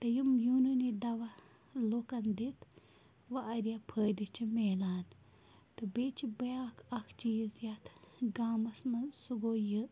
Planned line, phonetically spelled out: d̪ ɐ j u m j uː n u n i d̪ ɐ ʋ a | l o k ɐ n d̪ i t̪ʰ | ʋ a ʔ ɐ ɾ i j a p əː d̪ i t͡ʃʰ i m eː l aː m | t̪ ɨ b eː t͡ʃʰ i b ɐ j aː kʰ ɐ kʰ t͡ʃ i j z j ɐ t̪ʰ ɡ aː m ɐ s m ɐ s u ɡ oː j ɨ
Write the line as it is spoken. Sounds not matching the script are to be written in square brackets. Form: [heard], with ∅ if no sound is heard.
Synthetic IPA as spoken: [t̪] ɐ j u m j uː n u n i d̪ ɐ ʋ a | l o k ɐ n d̪ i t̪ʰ | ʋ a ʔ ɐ ɾ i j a [pʰ] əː d̪ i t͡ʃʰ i m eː l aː [n] | t̪ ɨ b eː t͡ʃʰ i b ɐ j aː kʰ ɐ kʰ t͡ʃ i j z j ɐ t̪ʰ ɡ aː m ɐ s m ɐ s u ɡ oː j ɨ